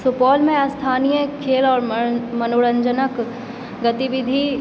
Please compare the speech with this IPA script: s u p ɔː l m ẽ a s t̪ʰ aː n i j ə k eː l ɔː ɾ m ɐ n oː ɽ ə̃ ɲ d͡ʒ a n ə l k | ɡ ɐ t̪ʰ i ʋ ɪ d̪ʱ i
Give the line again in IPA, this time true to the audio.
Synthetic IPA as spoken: s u p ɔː l m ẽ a s t̪ʰ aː n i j ə kʰ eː l ɔː ɾ m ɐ n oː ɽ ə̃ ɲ d͡ʒ ə n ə k | ɡ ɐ t̪ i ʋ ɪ d̪ʱ i